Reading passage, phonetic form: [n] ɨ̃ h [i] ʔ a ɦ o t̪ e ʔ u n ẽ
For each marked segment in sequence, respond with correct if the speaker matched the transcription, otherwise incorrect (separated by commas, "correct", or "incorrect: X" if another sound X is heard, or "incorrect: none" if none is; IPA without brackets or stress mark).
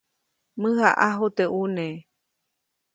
incorrect: m, incorrect: a